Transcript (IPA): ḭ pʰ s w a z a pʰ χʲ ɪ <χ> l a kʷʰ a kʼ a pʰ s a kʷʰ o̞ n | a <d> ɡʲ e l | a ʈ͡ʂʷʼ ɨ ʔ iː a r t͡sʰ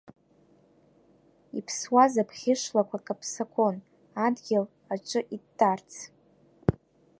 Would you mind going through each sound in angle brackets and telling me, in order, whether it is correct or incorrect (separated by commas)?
incorrect, correct